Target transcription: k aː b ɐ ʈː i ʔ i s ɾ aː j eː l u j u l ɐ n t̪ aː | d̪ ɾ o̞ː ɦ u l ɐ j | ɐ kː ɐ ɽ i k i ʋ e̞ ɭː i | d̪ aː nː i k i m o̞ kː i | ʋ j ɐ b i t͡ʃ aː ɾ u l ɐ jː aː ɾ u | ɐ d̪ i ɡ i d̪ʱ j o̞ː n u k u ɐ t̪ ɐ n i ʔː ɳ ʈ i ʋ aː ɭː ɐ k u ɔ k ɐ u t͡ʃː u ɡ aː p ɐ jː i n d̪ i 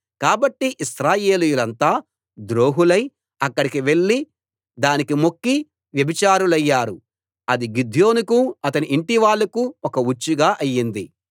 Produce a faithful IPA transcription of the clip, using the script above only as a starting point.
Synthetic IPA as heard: k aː b ɐ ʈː i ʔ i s ɾ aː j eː l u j u l ɐ n t̪ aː | d̪ ɾ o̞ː ɦ u l ɐ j | ɐ kː ɐ ɽ i k i ʋ e̞ ɭː i | d̪ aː n i k i m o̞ kː i | ʋ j ɐ b i t͡ʃ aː ɾ u l ɐ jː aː ɾ u | ɐ d̪ i ɡ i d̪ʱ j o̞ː n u k u ɐ t̪ ɐ n i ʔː ɳ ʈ i ʋ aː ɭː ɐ k u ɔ k ɐ u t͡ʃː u ɡ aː ʔ ɐ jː i n d̪ i